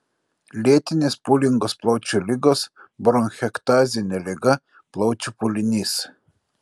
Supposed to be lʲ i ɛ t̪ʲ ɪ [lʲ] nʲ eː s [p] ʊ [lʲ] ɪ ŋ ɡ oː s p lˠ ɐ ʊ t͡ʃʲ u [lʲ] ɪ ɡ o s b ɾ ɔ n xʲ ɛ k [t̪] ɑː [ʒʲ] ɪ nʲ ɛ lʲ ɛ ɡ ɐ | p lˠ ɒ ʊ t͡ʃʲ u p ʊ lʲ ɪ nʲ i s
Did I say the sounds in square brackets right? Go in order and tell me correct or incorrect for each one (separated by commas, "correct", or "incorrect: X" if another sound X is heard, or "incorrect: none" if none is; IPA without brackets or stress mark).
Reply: incorrect: none, correct, correct, correct, correct, incorrect: zʲ